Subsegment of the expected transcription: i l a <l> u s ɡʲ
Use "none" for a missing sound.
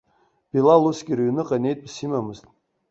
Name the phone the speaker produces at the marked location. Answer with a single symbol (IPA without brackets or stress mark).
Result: l